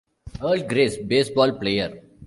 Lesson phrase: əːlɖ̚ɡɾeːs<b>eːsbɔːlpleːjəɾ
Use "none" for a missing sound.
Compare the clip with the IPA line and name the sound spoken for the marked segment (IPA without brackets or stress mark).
b